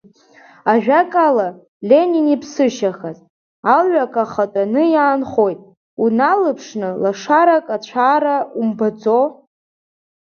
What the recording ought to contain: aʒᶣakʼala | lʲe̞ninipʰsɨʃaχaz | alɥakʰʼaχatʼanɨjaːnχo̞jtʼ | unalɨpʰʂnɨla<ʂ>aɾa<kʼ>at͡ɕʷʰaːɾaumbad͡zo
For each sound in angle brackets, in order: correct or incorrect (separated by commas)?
correct, correct